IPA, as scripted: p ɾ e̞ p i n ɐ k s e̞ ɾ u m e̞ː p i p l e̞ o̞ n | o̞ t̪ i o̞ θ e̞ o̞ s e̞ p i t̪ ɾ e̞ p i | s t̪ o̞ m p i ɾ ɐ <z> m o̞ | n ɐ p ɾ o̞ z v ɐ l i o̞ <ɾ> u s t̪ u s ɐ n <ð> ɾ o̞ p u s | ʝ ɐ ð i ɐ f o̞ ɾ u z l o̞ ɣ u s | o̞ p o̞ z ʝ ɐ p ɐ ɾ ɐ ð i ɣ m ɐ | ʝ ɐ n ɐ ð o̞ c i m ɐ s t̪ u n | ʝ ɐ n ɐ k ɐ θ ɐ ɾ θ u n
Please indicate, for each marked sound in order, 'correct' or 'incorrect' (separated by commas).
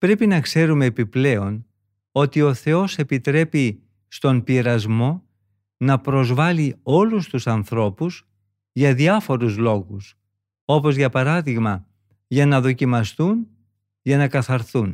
correct, incorrect, incorrect